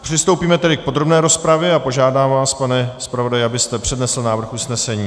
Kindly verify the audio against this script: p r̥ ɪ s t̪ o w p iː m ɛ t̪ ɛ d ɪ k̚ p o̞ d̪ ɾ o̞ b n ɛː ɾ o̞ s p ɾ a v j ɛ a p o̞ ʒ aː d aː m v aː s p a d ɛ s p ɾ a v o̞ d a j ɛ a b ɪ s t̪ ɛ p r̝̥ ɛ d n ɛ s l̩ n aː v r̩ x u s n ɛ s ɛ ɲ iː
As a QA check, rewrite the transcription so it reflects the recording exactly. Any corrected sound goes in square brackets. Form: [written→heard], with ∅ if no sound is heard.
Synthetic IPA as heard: p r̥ ɪ s t̪ o w p iː m ɛ t̪ ɛ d ɪ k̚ p o̞ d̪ ɾ o̞ b n ɛː ɾ o̞ s p ɾ a v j ɛ a p o̞ ʒ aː d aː m v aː s p a [d→n] ɛ s p ɾ a v o̞ d a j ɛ a b ɪ s t̪ ɛ p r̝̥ ɛ d n ɛ s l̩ n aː v r̩ x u s n ɛ s ɛ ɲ iː